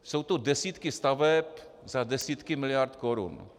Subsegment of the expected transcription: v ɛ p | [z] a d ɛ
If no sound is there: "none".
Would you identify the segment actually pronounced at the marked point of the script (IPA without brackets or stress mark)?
z